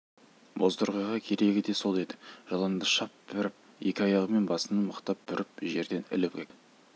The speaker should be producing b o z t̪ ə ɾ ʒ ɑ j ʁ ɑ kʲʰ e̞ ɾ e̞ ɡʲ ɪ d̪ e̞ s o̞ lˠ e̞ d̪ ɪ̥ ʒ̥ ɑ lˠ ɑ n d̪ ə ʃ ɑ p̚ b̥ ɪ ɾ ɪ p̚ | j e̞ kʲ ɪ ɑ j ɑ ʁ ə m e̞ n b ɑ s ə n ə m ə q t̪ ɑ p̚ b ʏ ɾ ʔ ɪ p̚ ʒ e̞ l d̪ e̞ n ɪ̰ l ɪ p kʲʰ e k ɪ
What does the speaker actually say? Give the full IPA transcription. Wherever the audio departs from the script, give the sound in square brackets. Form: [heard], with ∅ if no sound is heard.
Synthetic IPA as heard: b o z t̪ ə ɾ [ʁ] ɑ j ʁ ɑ kʲʰ e̞ ɾ e̞ ɡʲ ɪ d̪ e̞ s o̞ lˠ e̞ d̪ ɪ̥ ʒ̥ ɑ lˠ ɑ n d̪ ə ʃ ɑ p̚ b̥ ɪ ɾ ɪ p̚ | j e̞ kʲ ɪ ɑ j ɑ ʁ ə m e̞ n b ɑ s ə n ə m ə q t̪ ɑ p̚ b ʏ ɾ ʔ ɪ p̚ ʒ e̞ [ɾ] d̪ e̞ n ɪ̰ l ɪ p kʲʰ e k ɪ